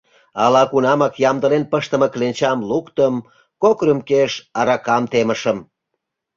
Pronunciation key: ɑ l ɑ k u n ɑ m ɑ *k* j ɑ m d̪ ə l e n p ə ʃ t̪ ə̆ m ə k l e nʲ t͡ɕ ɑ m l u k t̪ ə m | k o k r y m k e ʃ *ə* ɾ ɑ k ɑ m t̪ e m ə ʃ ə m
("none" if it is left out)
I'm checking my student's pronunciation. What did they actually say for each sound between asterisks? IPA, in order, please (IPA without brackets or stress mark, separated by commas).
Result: k, ɑ